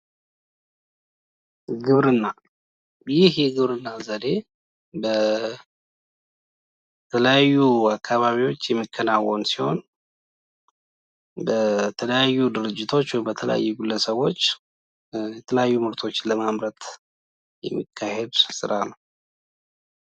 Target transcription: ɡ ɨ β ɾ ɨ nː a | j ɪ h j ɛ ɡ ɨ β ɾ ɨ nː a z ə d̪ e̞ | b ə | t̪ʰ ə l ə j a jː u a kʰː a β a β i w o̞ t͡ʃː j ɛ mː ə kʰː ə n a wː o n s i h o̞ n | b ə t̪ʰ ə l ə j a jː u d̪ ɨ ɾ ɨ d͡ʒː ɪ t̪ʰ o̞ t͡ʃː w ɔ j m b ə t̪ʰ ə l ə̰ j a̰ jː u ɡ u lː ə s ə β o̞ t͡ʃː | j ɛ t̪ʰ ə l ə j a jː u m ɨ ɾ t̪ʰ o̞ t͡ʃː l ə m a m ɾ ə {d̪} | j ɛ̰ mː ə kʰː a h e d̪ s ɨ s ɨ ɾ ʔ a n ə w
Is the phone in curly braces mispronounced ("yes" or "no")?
yes